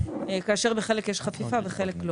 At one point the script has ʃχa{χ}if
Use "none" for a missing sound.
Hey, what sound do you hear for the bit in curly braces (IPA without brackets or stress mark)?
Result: f